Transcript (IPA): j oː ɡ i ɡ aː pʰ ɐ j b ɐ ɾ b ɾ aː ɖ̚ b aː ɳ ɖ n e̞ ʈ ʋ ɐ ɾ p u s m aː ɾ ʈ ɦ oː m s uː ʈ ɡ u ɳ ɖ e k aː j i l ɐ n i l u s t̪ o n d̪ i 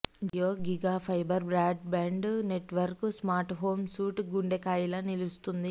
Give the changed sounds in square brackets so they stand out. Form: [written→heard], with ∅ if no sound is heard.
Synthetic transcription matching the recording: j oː ɡ i ɡ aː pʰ ɐ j b ɐ ɾ b ɾ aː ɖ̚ b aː ɳ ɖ n e̞ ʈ ʋ ɐ ɾ [p→k] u s m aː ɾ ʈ ɦ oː m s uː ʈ ɡ u ɳ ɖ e k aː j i l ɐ n i l u s t̪ [o→u] n d̪ i